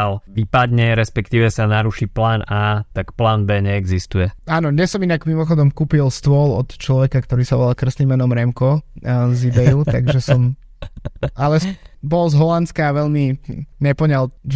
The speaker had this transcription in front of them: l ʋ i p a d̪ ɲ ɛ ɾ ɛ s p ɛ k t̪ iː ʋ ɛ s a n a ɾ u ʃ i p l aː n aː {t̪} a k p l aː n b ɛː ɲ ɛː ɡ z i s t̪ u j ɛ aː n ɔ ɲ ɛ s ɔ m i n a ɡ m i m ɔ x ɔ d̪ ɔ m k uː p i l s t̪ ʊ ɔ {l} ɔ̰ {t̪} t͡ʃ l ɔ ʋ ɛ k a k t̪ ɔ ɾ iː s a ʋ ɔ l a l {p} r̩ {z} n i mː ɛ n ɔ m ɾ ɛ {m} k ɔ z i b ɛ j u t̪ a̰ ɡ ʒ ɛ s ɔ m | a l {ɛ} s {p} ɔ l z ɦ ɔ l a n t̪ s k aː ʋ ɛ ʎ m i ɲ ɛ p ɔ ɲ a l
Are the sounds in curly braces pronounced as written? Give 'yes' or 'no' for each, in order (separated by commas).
yes, yes, yes, no, no, yes, yes, no